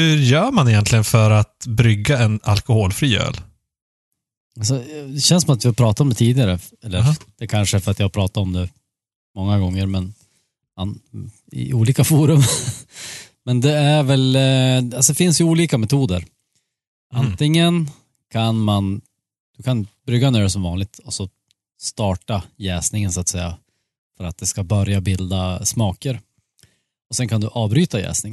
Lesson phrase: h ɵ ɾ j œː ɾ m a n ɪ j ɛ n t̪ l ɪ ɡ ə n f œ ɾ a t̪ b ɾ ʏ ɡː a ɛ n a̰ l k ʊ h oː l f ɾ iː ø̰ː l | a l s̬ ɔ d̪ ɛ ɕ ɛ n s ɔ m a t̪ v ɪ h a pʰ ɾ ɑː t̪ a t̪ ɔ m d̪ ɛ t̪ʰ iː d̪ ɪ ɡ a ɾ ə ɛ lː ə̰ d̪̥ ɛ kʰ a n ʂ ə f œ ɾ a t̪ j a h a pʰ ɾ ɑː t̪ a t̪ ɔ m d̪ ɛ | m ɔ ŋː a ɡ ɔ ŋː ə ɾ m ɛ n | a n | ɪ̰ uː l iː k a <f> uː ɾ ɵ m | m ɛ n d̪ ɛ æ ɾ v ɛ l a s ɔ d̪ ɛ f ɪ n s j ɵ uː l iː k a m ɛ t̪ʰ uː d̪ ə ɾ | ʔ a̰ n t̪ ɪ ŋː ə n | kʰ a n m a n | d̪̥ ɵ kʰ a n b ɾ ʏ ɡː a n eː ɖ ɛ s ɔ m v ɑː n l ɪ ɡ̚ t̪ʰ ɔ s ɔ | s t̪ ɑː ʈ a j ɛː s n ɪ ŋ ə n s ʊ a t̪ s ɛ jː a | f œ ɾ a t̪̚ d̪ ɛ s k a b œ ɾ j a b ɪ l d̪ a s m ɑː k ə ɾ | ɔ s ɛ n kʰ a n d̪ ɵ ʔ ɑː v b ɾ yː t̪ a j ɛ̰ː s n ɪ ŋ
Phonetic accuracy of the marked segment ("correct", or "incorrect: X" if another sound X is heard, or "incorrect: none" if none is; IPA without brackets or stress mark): correct